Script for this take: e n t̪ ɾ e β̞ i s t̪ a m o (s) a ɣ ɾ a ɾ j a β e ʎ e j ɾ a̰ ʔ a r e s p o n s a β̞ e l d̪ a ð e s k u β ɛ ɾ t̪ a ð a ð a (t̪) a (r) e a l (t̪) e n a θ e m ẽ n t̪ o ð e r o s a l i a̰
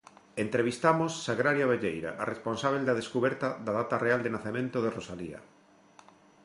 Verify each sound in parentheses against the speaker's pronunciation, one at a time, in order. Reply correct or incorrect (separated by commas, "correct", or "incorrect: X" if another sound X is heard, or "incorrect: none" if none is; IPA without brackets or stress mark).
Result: incorrect: sː, correct, correct, incorrect: d̪